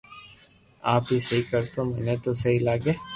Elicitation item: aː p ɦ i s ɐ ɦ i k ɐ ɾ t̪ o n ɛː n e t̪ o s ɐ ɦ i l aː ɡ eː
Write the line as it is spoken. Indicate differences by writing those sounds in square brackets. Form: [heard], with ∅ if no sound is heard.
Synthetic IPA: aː p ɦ i s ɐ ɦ i k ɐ ɾ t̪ o [m] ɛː n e t̪ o s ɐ ɦ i l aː ɡ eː